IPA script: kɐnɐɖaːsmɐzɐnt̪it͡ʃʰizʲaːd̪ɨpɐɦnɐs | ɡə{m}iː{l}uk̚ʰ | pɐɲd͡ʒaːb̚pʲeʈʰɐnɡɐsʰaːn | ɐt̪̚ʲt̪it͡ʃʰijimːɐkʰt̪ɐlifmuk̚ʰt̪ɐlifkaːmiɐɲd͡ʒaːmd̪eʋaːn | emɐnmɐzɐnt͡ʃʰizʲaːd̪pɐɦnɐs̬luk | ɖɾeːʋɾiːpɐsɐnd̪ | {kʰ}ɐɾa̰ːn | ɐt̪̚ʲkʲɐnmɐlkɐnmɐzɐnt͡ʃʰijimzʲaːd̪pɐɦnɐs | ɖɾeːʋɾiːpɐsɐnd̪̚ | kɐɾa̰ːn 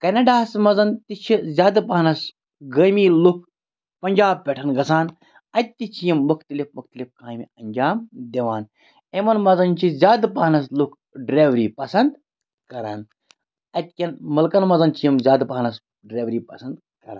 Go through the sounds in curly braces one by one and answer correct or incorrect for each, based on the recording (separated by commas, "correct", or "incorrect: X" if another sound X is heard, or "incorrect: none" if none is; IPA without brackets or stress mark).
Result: correct, correct, incorrect: k